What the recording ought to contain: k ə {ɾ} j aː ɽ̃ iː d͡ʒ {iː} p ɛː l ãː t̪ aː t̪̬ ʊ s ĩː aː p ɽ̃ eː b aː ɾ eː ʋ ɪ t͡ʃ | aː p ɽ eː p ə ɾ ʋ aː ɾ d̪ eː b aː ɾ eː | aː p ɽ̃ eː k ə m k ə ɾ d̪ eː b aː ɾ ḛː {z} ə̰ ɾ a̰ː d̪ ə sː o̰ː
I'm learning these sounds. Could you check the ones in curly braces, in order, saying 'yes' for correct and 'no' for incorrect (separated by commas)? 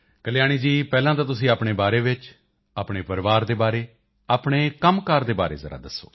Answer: no, yes, yes